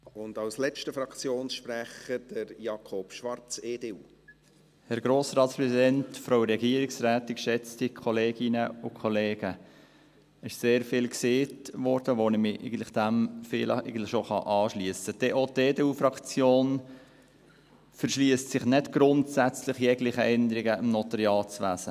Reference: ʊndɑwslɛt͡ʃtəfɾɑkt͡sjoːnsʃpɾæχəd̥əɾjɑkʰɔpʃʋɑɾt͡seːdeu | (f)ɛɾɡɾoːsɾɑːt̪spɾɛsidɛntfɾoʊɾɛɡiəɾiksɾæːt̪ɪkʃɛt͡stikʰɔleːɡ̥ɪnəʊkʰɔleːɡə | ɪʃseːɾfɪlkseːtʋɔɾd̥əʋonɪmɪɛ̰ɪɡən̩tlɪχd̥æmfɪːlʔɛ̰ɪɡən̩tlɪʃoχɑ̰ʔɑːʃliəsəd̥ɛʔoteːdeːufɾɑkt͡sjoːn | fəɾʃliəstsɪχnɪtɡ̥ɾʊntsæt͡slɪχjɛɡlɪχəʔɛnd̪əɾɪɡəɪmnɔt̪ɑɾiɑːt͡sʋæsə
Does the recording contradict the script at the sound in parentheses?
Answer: yes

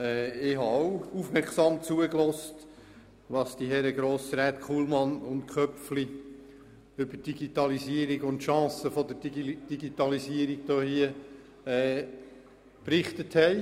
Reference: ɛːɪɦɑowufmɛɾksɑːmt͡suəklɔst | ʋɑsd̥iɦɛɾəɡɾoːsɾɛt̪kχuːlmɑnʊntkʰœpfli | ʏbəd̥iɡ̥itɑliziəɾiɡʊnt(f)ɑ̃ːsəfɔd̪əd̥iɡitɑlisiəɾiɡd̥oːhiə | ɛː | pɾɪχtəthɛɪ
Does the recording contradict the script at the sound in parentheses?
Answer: yes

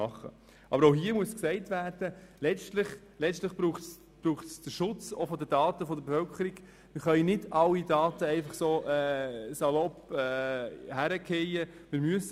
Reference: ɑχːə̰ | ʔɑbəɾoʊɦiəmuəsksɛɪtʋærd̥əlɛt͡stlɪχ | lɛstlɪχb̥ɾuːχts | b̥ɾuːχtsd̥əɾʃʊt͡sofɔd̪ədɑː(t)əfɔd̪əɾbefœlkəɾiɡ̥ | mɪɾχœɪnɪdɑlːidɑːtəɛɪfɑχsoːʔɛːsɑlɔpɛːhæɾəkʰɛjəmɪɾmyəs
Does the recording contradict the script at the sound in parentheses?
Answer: no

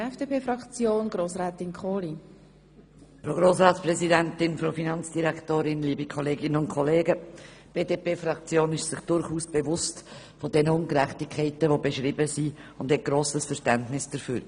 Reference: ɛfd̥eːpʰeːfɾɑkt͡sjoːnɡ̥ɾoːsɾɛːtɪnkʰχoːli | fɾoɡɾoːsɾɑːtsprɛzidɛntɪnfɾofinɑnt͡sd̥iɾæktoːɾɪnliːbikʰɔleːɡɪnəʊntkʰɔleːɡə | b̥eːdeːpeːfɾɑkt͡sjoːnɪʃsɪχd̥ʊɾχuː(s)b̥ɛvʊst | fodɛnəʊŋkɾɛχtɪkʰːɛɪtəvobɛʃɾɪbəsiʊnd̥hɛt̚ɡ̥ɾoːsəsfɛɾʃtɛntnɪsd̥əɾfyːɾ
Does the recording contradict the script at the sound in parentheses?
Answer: no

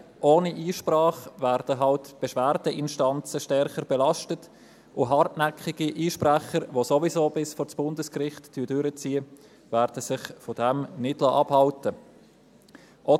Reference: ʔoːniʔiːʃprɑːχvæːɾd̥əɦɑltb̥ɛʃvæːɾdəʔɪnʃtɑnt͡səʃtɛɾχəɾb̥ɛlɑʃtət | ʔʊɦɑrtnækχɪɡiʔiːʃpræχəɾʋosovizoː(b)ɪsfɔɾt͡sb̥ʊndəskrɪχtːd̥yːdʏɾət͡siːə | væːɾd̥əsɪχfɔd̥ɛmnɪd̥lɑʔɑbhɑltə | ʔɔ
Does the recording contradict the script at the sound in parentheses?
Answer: no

